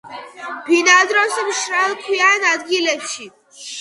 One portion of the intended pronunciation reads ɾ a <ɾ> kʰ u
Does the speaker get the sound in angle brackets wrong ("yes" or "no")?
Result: yes